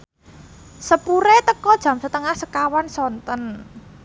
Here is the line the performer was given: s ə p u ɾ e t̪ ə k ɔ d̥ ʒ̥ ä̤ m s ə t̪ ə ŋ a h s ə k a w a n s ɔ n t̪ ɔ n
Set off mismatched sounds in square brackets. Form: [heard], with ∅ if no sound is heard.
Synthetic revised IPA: s ə p u ɾ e t̪ ə k ɔ d̥ ʒ̥ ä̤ m s ə t̪ ə ŋ a h s ə k a w a n s ɔ n t̪ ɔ n

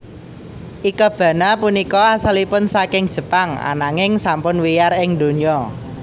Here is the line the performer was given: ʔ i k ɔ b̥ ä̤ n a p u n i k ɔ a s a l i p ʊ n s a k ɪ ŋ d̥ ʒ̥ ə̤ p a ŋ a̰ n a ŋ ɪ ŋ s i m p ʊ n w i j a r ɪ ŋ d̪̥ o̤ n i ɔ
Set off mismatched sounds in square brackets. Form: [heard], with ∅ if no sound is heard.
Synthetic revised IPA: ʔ i k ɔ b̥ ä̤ n a p u n i k ɔ a s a l i p ʊ n s a k ɪ ŋ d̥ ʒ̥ ə̤ p a ŋ a̰ n a ŋ ɪ ŋ s [a] m p ʊ n w i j a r ɪ ŋ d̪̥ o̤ n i ɔ

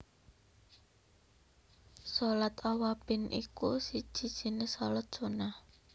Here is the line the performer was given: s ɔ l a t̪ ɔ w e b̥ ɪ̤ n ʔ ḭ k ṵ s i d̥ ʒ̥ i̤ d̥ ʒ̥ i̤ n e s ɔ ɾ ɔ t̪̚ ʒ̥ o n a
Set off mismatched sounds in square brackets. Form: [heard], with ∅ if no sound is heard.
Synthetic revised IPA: s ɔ l a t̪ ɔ w [a] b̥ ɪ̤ n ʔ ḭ k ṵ s i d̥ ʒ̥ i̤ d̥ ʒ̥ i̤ n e s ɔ [l] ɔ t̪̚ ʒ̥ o n a

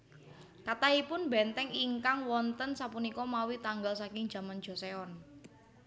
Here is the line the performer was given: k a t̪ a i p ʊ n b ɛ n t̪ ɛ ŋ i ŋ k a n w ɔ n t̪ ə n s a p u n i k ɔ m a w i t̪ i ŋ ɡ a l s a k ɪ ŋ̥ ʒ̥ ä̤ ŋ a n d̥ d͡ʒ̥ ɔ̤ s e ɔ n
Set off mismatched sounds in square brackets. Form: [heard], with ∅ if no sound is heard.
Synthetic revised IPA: k a t̪ a i p ʊ n b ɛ n t̪ ɛ ŋ i ŋ k a [ŋ] w ɔ n t̪ ə n s a p u n i k ɔ m a w i t̪ [a] ŋ ɡ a l s a k ɪ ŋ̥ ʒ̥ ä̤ [m] a n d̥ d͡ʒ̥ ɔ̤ s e ɔ n

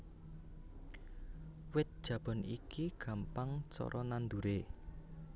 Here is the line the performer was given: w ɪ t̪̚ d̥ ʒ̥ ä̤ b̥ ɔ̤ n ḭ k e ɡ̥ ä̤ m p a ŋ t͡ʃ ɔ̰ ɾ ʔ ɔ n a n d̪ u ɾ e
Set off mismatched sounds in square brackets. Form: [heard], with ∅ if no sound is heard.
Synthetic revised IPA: w ɪ t̪̚ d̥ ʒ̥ ä̤ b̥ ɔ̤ n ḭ k [i] ɡ̥ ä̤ m p a ŋ t͡ʃ ɔ̰ ɾ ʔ ɔ n a n d̪ u ɾ e

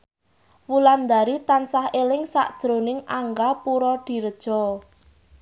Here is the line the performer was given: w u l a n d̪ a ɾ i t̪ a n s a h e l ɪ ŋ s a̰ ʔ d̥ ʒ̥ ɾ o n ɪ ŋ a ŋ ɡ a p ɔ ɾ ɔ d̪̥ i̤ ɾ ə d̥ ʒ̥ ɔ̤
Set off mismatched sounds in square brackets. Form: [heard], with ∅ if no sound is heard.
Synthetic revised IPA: w u l a n d̪ a ɾ i t̪ a n s a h e l ɪ ŋ s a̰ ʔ d̥ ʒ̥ ɾ o n ɪ ŋ a ŋ ɡ a p [u] ɾ ɔ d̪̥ i̤ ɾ ə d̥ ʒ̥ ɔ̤

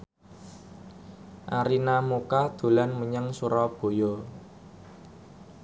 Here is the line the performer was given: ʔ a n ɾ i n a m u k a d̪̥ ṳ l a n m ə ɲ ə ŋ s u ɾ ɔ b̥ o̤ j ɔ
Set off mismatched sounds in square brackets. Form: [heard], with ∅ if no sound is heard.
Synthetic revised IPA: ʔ a [∅] ɾ i n a m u k a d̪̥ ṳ l a n m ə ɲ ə ŋ s u ɾ ɔ b̥ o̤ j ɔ

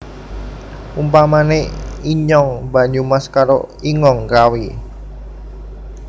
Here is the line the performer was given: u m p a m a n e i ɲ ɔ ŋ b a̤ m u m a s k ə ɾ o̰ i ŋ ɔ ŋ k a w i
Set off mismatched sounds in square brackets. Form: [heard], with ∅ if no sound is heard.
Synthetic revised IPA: u m p a m a n e i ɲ ɔ ŋ b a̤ [ɲ] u m a s k [a] ɾ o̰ i ŋ ɔ ŋ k a w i

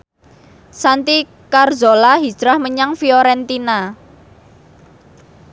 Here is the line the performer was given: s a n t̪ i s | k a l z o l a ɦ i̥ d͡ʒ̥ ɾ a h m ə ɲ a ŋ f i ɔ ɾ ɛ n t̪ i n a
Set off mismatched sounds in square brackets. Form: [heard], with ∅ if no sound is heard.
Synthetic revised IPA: s a n t̪ i [∅] | k a [r] z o l a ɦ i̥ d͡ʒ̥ ɾ a h m ə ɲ a ŋ f i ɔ ɾ ɛ n t̪ i n a

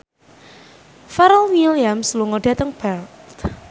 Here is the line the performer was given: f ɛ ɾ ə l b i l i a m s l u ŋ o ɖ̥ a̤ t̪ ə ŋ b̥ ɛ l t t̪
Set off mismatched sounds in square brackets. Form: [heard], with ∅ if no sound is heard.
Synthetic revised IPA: f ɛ ɾ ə l [w] i l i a m s l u ŋ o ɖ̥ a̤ t̪ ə ŋ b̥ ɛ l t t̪

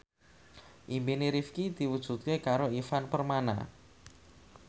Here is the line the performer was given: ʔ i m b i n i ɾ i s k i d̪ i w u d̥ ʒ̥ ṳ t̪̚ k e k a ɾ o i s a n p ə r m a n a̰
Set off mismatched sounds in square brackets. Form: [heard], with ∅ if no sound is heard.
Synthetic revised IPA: ʔ i m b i n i ɾ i [f] k i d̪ i w u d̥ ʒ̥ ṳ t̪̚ k e k a ɾ o i [f] a n p ə r m a n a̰

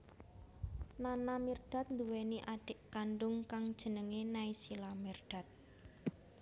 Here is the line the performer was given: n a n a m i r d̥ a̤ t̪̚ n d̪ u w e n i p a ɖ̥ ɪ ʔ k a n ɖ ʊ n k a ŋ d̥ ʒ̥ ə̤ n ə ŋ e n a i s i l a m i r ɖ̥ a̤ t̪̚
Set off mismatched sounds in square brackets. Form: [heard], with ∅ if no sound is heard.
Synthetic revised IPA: n a n a m i r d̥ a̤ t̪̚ n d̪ u w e n i [ʔ] a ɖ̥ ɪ ʔ k a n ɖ ʊ [ŋ] k a ŋ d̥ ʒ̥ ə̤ n ə ŋ e n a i s i l a m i r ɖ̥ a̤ t̪̚

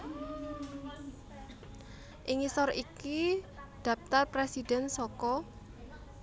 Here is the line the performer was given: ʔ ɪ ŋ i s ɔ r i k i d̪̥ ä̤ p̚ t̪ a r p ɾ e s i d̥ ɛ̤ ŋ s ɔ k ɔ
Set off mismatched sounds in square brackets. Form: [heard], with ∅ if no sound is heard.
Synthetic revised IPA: ʔ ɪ ŋ i s ɔ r i k i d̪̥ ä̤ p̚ t̪ a r p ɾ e s i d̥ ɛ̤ [n] s ɔ k ɔ

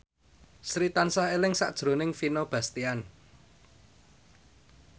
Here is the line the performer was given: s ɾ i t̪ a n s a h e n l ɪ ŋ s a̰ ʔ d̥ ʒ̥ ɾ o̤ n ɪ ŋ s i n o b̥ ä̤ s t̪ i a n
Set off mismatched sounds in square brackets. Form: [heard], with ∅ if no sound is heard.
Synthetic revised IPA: s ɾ i t̪ a n s a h e [∅] l ɪ ŋ s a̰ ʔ d̥ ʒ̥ ɾ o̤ n ɪ ŋ [f] i n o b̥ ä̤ s t̪ i a n

